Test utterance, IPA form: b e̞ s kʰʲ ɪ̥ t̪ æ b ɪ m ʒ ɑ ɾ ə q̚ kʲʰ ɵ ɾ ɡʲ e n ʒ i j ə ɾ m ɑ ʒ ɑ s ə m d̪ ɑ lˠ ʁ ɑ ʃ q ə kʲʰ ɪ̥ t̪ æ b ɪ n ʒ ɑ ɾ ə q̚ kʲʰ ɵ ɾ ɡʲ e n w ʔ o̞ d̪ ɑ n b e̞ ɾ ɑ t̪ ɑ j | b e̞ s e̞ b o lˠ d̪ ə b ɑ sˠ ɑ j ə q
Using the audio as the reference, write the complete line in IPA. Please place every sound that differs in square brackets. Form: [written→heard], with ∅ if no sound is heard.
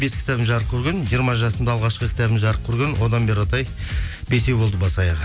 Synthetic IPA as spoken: b e̞ s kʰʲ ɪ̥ t̪ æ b ɪ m ʒ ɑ ɾ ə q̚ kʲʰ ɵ ɾ ɡʲ e n ʒ i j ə ɾ m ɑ ʒ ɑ s ə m d̪ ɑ lˠ ʁ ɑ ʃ q ə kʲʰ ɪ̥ t̪ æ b ɪ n ʒ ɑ ɾ ə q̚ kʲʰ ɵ ɾ ɡʲ e n w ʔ o̞ d̪ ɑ n b e̞ ɾ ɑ t̪ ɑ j | b e̞ s e̞ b o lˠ d̪ ə b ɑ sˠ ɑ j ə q

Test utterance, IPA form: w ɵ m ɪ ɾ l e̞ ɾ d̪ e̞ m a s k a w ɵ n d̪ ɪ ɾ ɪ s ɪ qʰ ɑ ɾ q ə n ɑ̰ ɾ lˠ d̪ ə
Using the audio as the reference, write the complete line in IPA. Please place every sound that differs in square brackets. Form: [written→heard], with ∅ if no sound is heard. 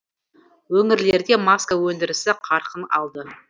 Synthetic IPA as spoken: w ɵ [m→ŋ] ɪ ɾ l e̞ ɾ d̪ e̞ m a s k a w ɵ n d̪ ɪ ɾ ɪ s ɪ qʰ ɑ ɾ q ə n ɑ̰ [ɾ→∅] lˠ d̪ ə

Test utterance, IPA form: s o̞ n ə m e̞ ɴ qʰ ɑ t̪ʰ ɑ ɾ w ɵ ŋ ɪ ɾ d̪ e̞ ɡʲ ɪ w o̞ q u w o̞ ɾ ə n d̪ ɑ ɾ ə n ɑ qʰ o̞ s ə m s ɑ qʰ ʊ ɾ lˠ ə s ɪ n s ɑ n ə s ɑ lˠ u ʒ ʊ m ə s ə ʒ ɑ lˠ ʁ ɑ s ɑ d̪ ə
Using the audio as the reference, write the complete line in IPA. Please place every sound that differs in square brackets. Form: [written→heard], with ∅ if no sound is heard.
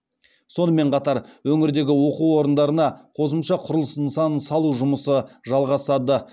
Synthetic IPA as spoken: s o̞ n ə m e̞ ɴ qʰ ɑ [t̪ʰ→t̪] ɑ ɾ w ɵ ŋ ɪ ɾ d̪ e̞ ɡʲ ɪ w o̞ q u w o̞ ɾ ə n d̪ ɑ ɾ ə n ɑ qʰ o̞ s ə m [s→ʃ] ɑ qʰ ʊ ɾ lˠ ə s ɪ n s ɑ n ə s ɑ lˠ u ʒ ʊ m ə s ə ʒ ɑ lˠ ʁ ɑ s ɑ d̪ ə

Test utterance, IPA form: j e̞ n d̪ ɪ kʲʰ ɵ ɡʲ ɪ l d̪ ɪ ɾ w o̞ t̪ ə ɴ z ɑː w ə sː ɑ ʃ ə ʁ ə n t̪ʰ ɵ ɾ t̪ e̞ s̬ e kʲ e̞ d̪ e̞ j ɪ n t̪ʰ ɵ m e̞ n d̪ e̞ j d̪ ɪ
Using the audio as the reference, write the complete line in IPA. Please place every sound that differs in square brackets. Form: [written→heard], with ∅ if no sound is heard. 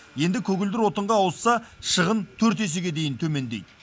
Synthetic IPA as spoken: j e̞ n d̪ ɪ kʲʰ ɵ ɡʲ ɪ l d̪ ɪ ɾ w o̞ t̪ ə ɴ [z→ʁ] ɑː w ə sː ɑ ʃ ə ʁ ə n t̪ʰ ɵ ɾ t̪ e̞ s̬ e [kʲ→ɡʲ] e̞ d̪ e̞ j ɪ n t̪ʰ ɵ m e̞ n d̪ e̞ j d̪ ɪ

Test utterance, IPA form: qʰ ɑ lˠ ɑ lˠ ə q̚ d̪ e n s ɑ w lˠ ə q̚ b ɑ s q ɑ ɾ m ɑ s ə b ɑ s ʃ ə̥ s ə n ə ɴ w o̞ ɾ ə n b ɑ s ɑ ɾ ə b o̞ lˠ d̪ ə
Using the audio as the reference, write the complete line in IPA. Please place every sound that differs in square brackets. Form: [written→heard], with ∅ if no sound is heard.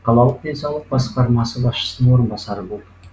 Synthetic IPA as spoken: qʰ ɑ lˠ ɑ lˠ ə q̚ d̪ e n s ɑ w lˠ ə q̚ b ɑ s q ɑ ɾ m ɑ s ə b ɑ s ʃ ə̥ s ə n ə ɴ w o̞ ɾ ə n b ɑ s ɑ ɾ ə b o̞ lˠ d̪ ə

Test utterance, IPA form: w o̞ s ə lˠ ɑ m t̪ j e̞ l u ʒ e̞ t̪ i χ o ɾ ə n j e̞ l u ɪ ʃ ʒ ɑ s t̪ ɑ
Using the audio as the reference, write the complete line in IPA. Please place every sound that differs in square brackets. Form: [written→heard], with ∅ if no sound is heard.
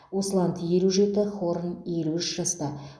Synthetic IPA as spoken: w o̞ s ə lˠ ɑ [m→n] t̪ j e̞ l u ʒ e̞ t̪ [i→ɪ] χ o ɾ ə n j e̞ l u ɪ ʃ ʒ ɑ s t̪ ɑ

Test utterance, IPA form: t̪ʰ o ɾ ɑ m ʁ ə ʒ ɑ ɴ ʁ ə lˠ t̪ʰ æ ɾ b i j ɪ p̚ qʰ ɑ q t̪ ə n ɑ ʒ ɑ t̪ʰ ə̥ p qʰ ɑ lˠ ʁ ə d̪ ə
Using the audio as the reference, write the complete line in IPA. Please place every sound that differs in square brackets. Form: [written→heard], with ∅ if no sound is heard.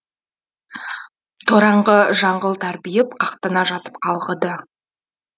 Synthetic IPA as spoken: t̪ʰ o ɾ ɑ [m→ɴ] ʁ ə ʒ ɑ ɴ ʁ ə lˠ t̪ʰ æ ɾ b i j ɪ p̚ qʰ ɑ q t̪ ə n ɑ ʒ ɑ [t̪ʰ→t̪] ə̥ p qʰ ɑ lˠ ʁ ə d̪ ə

